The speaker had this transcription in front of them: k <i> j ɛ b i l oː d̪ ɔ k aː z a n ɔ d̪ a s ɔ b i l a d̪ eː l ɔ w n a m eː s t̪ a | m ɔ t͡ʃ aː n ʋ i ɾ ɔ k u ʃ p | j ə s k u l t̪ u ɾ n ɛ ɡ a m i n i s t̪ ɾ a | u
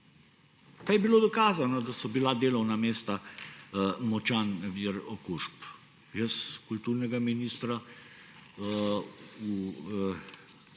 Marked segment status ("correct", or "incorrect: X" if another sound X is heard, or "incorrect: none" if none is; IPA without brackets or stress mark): incorrect: a